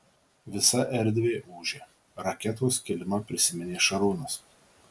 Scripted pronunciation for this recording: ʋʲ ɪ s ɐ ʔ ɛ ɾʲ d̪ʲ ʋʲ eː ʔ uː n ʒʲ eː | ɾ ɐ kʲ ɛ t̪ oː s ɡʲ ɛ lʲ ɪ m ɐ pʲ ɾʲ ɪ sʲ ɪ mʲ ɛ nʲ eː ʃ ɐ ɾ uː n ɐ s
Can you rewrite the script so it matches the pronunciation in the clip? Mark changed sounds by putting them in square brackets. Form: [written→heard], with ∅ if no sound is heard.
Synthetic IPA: ʋʲ ɪ s ɐ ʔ ɛ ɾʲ d̪ʲ ʋʲ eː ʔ uː [n→∅] ʒʲ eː | ɾ ɐ kʲ ɛ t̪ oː s [ɡʲ→kʲ] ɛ lʲ ɪ m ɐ pʲ ɾʲ ɪ sʲ ɪ mʲ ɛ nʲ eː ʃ ɐ ɾ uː n ɐ s